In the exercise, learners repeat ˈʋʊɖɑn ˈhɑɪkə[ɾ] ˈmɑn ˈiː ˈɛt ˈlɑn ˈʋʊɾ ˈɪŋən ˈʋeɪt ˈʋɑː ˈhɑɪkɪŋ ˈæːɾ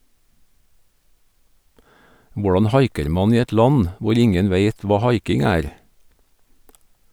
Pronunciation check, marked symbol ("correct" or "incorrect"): correct